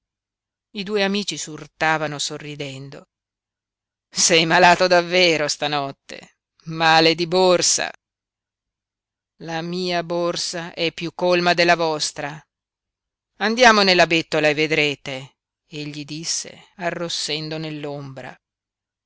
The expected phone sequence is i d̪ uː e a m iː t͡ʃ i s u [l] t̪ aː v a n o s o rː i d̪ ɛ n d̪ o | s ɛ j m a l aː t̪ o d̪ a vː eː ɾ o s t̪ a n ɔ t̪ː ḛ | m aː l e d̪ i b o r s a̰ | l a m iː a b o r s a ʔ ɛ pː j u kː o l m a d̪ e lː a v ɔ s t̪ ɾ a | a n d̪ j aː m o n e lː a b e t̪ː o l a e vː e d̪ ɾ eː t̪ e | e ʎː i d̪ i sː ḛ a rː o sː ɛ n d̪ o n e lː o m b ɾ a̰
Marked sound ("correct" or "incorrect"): incorrect